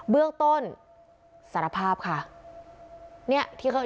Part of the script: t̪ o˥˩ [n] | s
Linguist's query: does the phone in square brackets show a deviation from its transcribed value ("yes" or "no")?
no